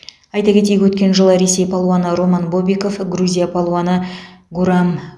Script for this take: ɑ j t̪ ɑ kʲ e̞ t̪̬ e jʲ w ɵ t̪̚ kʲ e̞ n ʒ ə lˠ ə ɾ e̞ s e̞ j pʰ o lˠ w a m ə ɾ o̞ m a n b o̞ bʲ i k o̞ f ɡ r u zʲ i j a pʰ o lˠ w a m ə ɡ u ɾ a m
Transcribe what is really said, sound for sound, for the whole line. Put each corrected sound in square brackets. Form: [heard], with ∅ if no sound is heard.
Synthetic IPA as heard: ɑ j t̪ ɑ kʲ e̞ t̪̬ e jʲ w ɵ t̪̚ kʲ e̞ n ʒ ə lˠ ə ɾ e̞ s e̞ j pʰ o lˠ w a [n] ə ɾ o̞ m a n b o̞ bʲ i k o̞ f ɡ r u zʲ i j a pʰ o lˠ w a [n] ə ɡ u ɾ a m